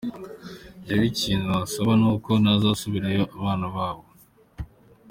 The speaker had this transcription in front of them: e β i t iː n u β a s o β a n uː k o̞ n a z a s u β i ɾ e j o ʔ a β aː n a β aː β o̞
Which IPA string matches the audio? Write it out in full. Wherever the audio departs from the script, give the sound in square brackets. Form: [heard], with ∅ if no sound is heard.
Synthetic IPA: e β i [c] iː n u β a s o β a n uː k o̞ n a z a s u β i ɾ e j o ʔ a β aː n a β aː β o̞